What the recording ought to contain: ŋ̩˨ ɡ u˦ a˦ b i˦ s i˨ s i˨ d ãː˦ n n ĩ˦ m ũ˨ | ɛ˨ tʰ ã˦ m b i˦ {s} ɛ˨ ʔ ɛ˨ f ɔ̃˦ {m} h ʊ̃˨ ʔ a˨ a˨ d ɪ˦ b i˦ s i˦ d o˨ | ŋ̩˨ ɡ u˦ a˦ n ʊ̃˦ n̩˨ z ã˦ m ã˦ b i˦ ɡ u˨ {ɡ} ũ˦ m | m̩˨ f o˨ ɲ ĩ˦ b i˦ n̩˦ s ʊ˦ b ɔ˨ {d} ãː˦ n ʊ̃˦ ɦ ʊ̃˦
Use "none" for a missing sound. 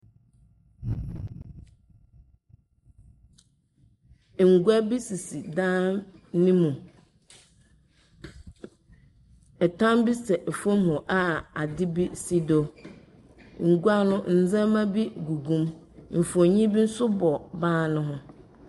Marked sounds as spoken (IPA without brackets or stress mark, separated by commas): s, m, ɡ, b